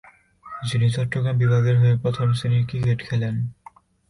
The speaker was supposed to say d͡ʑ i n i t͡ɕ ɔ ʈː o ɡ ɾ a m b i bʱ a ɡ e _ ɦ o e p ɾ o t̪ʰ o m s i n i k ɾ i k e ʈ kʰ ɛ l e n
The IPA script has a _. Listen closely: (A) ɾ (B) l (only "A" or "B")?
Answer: A